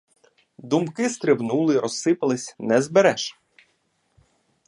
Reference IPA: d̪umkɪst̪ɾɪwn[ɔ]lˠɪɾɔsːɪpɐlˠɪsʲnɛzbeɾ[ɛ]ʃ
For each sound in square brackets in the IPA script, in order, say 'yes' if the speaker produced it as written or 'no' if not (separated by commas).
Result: no, yes